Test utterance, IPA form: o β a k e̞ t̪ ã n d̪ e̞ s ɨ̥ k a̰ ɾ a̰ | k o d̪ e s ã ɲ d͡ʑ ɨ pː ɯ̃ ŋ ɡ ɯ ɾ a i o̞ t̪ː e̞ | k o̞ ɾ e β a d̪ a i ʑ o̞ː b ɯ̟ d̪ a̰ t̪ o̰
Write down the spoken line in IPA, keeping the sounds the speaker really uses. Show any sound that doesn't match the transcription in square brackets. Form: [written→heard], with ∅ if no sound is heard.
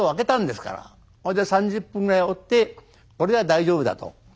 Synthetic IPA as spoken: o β a k e̞ t̪ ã n d̪ e̞ s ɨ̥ k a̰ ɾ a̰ | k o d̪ e s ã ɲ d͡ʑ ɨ pː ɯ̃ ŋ ɡ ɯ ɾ a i o̞ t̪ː e̞ | k o̞ ɾ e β a d̪ a i ʑ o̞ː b ɯ̟ d̪ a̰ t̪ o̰